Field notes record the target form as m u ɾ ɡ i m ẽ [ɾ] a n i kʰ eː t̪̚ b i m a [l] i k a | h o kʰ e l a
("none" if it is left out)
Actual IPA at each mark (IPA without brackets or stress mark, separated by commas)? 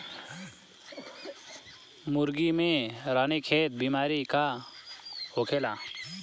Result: ɾ, ɾ